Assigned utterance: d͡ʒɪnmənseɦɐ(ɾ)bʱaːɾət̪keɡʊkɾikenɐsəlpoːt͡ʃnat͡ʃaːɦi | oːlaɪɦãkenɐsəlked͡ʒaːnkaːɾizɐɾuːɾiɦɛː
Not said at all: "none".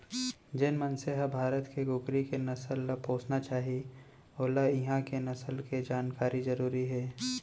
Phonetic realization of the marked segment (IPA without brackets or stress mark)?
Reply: none